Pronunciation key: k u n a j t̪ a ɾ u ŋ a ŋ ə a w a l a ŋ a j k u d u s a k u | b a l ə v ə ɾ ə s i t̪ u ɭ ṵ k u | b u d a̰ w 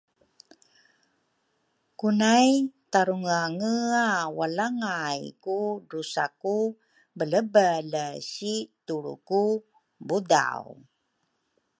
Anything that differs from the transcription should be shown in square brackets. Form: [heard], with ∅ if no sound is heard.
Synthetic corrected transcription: k u n a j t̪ a ɾ u ŋ a ŋ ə a w a l a ŋ a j k u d u s a k u | b [ə] l ə [b] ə [l] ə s i t̪ u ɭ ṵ k u | b u d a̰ w